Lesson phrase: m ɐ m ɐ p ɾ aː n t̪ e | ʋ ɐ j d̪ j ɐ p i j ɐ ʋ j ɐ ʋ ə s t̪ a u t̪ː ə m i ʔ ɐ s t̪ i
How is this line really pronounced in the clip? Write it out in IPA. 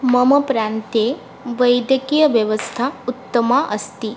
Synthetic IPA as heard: m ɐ m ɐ p ɾ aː n t̪ e | ʋ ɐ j d̪ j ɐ k i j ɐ ʋ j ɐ ʋ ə s t̪ʰ a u t̪ː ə m a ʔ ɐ s t̪ i